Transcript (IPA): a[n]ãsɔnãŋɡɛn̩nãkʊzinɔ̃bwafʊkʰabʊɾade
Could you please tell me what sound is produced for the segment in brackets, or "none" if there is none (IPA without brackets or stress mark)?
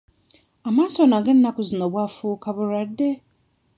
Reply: m